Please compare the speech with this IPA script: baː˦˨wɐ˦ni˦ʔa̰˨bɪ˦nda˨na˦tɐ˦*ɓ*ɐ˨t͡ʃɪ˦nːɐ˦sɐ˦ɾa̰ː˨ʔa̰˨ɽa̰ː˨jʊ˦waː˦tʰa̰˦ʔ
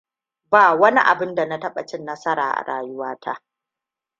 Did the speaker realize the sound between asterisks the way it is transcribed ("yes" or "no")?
yes